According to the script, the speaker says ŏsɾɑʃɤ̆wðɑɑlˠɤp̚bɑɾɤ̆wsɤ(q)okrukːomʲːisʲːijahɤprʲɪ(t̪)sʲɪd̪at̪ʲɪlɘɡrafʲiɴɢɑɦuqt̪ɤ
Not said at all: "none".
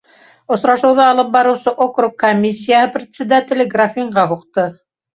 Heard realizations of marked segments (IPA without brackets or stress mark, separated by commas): ʔ, t̪